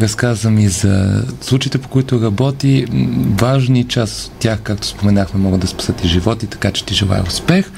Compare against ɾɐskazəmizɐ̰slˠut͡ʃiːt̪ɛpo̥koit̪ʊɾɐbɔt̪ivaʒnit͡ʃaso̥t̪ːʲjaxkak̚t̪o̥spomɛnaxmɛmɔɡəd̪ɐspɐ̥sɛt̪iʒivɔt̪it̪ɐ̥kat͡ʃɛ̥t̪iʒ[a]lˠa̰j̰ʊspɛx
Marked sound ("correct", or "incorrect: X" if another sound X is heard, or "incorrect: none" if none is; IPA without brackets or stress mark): incorrect: ɛ